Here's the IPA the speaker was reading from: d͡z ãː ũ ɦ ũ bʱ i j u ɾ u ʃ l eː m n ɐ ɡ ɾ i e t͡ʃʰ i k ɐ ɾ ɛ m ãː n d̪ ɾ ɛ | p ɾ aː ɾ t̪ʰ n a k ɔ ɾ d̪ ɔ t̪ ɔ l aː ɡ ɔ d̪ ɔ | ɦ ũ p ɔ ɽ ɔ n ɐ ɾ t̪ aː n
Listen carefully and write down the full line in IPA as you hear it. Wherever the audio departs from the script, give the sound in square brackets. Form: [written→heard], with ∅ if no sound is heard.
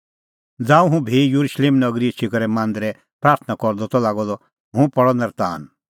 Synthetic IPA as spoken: d͡z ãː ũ ɦ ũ bʱ i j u ɾ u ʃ l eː m n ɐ ɡ ɾ i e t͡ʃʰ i k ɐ ɾ ɛ m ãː n d̪ ɾ ɛ | p ɾ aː ɾ t̪ʰ n a k ɔ ɾ d̪ ɔ t̪ ɔ l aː ɡ ɔ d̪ ɔ | ɦ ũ p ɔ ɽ ɔ n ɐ ɾ t̪ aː n